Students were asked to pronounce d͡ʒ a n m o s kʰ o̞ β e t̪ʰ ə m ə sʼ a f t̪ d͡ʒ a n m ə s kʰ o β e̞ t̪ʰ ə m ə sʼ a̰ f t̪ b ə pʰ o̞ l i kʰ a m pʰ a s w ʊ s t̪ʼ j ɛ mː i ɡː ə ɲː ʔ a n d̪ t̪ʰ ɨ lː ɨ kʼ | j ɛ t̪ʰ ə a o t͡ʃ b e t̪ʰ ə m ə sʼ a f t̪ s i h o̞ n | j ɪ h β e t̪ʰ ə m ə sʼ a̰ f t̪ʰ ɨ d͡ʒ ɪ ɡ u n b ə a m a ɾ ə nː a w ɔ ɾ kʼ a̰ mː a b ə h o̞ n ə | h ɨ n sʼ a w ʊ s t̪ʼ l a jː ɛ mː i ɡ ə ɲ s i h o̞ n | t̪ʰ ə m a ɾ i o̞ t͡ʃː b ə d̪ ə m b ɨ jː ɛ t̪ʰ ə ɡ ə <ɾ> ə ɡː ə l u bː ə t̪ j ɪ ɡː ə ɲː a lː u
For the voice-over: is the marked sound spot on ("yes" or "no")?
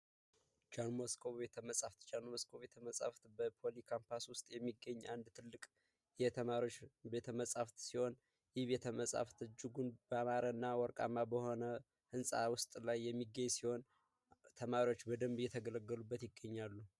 no